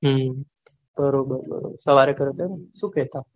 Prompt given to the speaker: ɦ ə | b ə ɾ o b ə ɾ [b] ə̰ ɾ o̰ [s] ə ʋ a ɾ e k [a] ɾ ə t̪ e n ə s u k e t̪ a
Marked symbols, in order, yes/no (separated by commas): yes, yes, no